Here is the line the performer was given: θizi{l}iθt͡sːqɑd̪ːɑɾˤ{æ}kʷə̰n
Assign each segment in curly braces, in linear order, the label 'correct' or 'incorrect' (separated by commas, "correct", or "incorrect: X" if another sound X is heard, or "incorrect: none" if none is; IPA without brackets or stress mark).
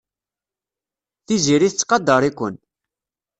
incorrect: ɾ, incorrect: i